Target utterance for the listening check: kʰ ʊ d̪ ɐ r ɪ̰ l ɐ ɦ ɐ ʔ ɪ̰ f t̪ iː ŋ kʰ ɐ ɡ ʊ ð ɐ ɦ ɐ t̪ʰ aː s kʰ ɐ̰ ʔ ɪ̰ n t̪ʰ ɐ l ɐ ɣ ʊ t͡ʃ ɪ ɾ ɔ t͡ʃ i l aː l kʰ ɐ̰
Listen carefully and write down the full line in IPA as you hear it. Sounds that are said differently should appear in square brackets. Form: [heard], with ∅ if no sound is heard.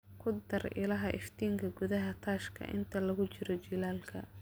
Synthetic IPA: kʰ ʊ d̪ ɐ r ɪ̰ l ɐ ɦ ɐ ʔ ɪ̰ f t̪ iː ŋ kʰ ɐ ɡ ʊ ð ɐ ɦ ɐ t̪ʰ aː [ʃ] kʰ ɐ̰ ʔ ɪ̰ n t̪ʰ ɐ l ɐ ɣ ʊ t͡ʃ ɪ ɾ ɔ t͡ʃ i l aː l kʰ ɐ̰